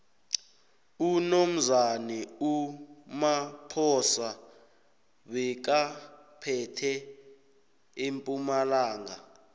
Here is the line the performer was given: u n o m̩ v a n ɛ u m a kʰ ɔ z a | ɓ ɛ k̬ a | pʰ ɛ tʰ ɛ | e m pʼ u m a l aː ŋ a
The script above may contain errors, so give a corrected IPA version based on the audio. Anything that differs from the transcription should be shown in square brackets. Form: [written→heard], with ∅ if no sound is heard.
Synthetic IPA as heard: u n o m̩ [v→z] a n ɛ u m a [kʰ→pʰ] ɔ [z→s] a | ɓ ɛ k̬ a | pʰ ɛ tʰ ɛ | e m pʼ u m a l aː ŋ a